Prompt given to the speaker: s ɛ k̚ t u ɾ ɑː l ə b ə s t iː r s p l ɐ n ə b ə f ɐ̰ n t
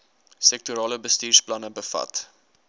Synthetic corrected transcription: s ɛ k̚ t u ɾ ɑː l ə b ə s t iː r s p l ɐ n ə b ə f ɐ̰ t

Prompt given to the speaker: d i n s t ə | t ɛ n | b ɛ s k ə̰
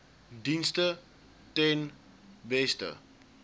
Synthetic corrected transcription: d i n s t ə | t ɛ n | b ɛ s t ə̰

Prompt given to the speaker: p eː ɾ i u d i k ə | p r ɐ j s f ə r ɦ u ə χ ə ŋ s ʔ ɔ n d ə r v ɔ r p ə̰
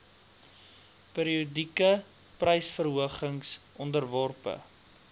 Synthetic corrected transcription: p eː ɾ i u d i k ə | p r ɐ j s f ə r ɦ u ə χ ə ŋ s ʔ ɔ n d ə r v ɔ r p ə̰

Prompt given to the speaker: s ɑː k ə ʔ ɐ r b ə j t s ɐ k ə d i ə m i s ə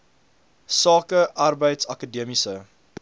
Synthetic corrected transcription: s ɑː k ə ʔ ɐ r b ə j t s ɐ k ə d i ə m i s ə

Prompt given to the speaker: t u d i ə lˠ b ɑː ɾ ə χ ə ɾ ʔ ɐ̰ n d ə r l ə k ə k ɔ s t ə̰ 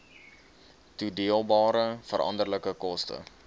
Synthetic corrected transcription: t u d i ə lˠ b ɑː ɾ ə f ə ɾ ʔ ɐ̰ n d ə r l ə k ə k ɔ s t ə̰

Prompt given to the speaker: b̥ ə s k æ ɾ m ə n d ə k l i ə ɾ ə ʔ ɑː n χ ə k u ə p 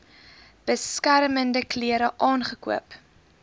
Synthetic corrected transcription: b̥ ə s k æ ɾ m ə n d ə k l i ə ɾ ə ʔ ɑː n χ ə k u ə p

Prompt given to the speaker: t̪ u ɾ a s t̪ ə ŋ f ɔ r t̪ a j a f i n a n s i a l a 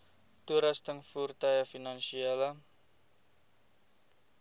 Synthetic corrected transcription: t̪ u ɾ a s t̪ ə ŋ f u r t̪ a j a f i n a n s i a l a

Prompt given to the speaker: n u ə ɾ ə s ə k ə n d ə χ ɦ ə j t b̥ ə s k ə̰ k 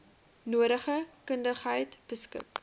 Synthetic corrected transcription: n u ə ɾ ə χ ə k ə n d ə χ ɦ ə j t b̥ ə s k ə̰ k

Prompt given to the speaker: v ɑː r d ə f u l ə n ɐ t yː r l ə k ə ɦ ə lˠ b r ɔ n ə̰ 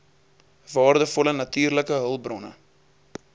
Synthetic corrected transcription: v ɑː r d ə f ɔ l ə n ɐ t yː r l ə k ə ɦ ə lˠ b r ɔ n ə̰

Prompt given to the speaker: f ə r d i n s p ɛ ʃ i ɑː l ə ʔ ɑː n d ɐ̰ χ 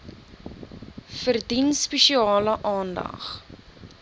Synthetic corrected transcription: f ə r d i n s p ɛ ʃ i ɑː l ə ʔ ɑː n d ɐ̰ χ

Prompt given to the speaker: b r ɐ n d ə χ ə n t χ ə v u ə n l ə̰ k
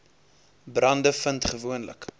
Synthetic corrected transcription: b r ɐ n d ə f ə n t χ ə v u ə n l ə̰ k

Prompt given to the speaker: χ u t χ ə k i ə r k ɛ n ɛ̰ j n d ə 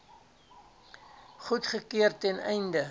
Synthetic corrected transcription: χ u t χ ə k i ə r t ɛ n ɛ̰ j n d ə

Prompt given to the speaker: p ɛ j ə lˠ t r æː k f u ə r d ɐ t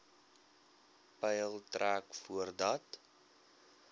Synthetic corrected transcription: p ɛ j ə lˠ t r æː k f u ə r d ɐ t

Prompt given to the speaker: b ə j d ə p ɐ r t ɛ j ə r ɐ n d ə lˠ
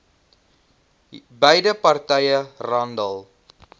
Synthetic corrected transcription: b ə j d ə p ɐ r t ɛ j ə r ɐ n d ə lˠ

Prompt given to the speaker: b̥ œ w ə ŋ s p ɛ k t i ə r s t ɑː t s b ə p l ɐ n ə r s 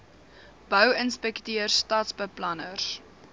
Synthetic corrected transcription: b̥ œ w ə n s p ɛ k t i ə r s t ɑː t s b ə p l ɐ n ə r s

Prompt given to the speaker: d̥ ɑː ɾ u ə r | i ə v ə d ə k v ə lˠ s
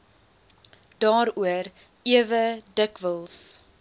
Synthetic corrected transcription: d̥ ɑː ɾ u ə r | i ə v ə d ə k v ə lˠ s

